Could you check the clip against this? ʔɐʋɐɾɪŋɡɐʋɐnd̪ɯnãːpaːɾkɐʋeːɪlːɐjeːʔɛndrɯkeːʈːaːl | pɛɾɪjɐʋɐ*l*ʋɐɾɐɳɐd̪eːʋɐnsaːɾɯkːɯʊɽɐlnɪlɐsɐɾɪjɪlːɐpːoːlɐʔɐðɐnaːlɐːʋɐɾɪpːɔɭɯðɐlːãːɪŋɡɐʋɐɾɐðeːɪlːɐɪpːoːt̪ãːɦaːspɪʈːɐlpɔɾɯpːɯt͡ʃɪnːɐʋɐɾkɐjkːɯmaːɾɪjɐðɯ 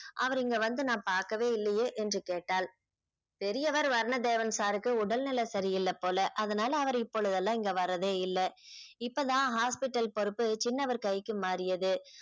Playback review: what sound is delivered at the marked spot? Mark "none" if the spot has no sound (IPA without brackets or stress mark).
ɾ